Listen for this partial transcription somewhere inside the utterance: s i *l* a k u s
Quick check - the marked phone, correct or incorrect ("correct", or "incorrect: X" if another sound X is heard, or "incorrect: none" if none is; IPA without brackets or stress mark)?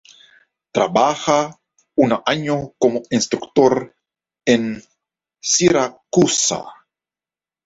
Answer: incorrect: ɾ